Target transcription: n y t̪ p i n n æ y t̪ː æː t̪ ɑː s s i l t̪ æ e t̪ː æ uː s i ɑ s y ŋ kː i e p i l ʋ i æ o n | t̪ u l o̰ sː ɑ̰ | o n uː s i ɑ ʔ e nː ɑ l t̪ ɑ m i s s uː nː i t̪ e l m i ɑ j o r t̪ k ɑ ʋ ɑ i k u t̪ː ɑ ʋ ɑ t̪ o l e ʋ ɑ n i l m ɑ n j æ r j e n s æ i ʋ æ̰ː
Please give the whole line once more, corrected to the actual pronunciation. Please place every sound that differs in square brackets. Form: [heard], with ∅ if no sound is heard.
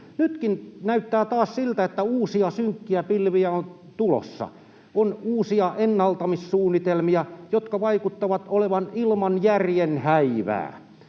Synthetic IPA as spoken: n y t̪ [k] i n n æ y t̪ː æː t̪ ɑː s s i l t̪ æ e t̪ː æ uː s i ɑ s y ŋ kː i [æ] p i l ʋ i æ o n | t̪ u l o̰ sː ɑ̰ | o n uː s i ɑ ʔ e nː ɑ l t̪ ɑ m i s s uː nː i t̪ e l m i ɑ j o [∅] t̪ k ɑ ʋ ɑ i k u t̪ː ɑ ʋ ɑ t̪ o l e ʋ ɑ n i l m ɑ n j æ r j e n [h] æ i ʋ æ̰ː